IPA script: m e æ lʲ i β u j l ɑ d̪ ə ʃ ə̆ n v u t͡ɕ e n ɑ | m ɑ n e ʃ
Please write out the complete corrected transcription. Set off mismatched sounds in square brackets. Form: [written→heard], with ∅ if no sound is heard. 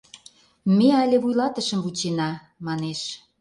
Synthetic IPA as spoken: m e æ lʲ [i→e] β u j l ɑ [d̪→t̪] ə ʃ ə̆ [n→m] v u t͡ɕ e n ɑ | m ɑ n e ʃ